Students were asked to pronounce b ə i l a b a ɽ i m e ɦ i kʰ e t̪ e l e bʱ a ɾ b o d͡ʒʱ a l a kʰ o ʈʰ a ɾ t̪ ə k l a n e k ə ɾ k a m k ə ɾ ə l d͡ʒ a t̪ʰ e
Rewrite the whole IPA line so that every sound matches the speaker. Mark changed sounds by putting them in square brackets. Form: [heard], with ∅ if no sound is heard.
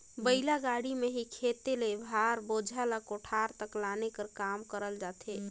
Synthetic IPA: b ə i l a [ɡ] a ɽ i m e ɦ i kʰ e t̪ e l e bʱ a ɾ b o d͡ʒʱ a l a [k] o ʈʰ a ɾ t̪ ə k l a n e k ə ɾ k a m k ə ɾ ə l d͡ʒ a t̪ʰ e